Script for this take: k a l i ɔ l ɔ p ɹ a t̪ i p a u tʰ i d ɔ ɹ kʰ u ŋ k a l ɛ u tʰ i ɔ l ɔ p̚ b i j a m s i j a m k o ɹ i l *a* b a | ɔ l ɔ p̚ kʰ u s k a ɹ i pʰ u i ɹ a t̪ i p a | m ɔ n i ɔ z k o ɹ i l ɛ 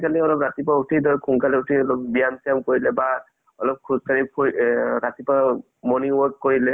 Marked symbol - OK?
no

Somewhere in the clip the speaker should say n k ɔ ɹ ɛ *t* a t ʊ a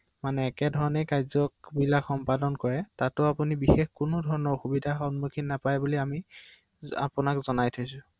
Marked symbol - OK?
yes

